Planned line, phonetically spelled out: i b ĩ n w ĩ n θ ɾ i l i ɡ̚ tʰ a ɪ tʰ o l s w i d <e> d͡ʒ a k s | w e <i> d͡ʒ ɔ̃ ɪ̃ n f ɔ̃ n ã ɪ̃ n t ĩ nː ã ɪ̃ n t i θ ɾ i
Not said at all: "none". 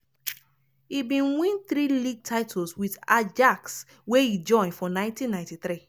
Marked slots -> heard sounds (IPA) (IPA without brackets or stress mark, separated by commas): a, i